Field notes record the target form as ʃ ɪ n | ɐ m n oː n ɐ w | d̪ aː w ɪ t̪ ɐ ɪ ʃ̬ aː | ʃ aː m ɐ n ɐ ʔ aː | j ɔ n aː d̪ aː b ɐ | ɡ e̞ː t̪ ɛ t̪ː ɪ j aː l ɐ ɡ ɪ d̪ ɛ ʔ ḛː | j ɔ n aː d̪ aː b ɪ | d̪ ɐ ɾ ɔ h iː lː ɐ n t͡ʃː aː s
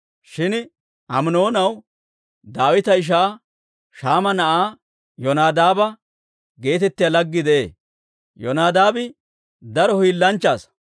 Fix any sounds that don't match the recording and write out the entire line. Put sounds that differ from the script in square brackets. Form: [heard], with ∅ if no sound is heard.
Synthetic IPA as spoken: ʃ ɪ n | ɐ m n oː n ɐ w | d̪ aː w ɪ t̪ ɐ ɪ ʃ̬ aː | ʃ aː m ɐ n ɐ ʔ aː | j ɔ n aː d̪ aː b ɐ | ɡ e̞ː t̪ ɛ t̪ː ɪ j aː l ɐ [ɡː] ɪ d̪ ɛ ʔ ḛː | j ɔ n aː d̪ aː b ɪ | d̪ ɐ ɾ ɔ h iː lː ɐ n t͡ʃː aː s